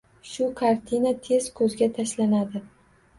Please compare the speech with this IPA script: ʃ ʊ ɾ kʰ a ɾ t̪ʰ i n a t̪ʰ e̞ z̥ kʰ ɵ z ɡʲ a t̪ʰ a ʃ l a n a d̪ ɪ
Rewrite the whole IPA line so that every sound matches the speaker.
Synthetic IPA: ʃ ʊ kʰ a ɾ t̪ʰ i n a t̪ʰ e̞ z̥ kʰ ɵ z ɡʲ a t̪ʰ a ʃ l a n a d̪ ɪ